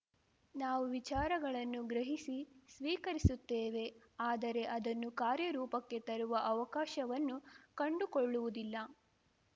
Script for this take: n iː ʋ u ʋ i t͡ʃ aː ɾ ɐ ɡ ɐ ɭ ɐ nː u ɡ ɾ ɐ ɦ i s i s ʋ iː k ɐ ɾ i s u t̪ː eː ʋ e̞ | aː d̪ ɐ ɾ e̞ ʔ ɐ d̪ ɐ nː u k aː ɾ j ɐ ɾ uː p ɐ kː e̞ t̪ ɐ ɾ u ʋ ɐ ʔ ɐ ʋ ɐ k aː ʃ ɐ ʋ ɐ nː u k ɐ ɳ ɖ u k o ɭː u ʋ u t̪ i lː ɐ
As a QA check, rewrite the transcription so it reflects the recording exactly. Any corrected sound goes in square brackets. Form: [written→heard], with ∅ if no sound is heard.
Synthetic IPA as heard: n [iː→aː] ʋ u ʋ i t͡ʃ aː ɾ ɐ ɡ ɐ ɭ ɐ nː u ɡ ɾ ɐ ɦ i s i s ʋ iː k ɐ ɾ i s u t̪ː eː ʋ e̞ | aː d̪ ɐ ɾ e̞ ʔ ɐ d̪ ɐ nː u k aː ɾ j ɐ ɾ uː p ɐ kː e̞ t̪ ɐ ɾ u ʋ ɐ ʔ ɐ ʋ ɐ k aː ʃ ɐ ʋ ɐ nː u k ɐ ɳ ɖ u k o ɭː u ʋ u [t̪→d̪] i lː ɐ

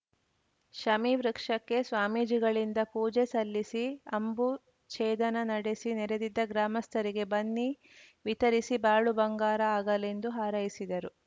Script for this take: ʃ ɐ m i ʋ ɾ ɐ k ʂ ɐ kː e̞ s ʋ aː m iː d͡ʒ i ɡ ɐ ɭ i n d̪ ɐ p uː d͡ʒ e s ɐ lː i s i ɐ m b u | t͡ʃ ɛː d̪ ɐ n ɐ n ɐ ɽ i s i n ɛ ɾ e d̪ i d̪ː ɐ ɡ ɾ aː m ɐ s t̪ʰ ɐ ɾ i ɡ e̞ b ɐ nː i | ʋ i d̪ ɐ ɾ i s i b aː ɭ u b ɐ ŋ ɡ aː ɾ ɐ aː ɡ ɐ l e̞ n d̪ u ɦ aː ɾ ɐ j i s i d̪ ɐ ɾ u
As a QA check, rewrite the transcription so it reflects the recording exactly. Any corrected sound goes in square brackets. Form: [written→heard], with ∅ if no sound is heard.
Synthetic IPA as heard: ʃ ɐ m i ʋ ɾ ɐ k ʂ ɐ kː e̞ s ʋ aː m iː d͡ʒ i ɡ ɐ ɭ i n d̪ ɐ p uː d͡ʒ e s ɐ lː i s i ɐ m b u | t͡ʃ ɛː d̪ ɐ n ɐ n ɐ ɽ [i→e] s i n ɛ ɾ e d̪ i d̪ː ɐ ɡ ɾ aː m ɐ s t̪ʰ ɐ ɾ i ɡ e̞ b ɐ nː i | ʋ i [d̪→t̪] ɐ ɾ i s i b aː ɭ u b ɐ ŋ ɡ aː ɾ ɐ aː ɡ ɐ l e̞ n d̪ u ɦ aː ɾ ɐ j i s i d̪ ɐ ɾ u

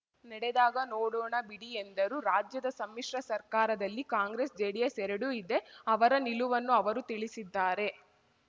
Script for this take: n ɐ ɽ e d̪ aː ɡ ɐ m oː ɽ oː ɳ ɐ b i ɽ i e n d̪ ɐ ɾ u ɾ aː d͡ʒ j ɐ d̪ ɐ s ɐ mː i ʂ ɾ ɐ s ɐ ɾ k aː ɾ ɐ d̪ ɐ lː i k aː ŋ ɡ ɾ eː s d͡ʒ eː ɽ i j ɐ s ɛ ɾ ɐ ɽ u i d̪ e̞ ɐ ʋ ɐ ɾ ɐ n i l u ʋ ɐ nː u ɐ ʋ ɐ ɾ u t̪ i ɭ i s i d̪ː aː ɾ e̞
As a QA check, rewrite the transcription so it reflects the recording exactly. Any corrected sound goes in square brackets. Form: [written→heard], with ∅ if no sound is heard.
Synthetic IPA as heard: n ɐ ɽ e d̪ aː ɡ ɐ [m→n] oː ɽ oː ɳ ɐ b i ɽ i e n d̪ ɐ ɾ u ɾ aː d͡ʒ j ɐ d̪ ɐ s ɐ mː i ʂ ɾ ɐ s ɐ ɾ k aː ɾ ɐ d̪ ɐ lː i k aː ŋ ɡ ɾ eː s d͡ʒ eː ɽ i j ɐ s ɛ ɾ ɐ ɽ u i d̪ e̞ ɐ ʋ ɐ ɾ ɐ n i l u ʋ ɐ nː u ɐ ʋ ɐ ɾ u t̪ i ɭ i s i d̪ː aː ɾ e̞

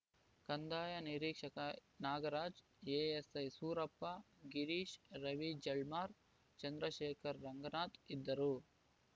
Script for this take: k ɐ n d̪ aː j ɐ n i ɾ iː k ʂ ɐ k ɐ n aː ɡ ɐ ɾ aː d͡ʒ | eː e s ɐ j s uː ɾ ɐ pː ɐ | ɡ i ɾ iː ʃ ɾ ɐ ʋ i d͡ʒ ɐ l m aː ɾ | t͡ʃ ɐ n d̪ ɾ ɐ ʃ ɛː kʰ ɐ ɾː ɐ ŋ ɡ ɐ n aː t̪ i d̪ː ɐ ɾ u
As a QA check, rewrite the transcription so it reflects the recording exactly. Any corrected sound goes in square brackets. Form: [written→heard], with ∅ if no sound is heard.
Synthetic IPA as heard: k ɐ n d̪ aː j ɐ n i ɾ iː k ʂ ɐ k ɐ n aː ɡ ɐ ɾ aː d͡ʒ | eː e s ɐ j s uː ɾ ɐ pː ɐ | ɡ i ɾ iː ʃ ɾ ɐ ʋ i d͡ʒ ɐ l m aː ɾ | t͡ʃ ɐ n d̪ ɾ ɐ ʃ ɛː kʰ ɐ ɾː ɐ ŋ ɡ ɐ n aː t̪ i d̪ː ɐ ɾ u

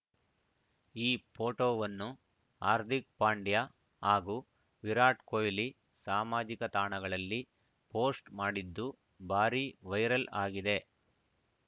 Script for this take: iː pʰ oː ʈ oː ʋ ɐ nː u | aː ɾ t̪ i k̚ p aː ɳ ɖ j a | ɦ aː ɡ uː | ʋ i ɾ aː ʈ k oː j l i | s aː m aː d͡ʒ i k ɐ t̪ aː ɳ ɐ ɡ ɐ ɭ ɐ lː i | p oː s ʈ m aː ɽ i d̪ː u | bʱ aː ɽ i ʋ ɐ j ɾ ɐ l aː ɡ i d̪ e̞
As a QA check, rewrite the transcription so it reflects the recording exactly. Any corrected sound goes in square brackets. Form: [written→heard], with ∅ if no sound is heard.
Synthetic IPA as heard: iː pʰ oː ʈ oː ʋ ɐ nː u | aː ɾ t̪ i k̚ p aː ɳ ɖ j a | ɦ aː ɡ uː | ʋ i ɾ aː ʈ k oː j l i | s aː m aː d͡ʒ i k ɐ t̪ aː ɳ ɐ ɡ ɐ ɭ ɐ lː i | p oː s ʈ m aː ɽ i d̪ː u | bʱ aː [ɽ→ɾ] i ʋ ɐ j ɾ ɐ l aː ɡ i d̪ e̞

